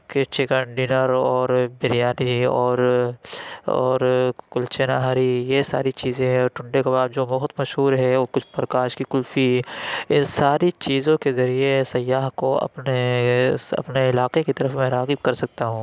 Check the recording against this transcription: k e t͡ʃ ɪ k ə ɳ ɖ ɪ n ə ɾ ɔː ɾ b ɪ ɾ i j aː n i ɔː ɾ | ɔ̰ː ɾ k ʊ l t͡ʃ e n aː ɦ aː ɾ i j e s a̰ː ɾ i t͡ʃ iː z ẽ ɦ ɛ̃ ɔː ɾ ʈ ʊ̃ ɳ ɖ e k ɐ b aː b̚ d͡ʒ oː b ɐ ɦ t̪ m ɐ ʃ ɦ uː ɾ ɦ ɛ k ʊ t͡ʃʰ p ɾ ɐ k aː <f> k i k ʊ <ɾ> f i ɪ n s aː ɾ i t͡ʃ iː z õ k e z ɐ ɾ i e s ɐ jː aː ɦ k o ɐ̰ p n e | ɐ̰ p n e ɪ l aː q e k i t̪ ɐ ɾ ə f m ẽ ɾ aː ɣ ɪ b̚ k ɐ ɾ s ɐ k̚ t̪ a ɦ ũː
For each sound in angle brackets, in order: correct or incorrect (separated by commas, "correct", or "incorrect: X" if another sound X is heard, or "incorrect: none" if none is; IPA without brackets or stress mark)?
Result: incorrect: ʃ, incorrect: l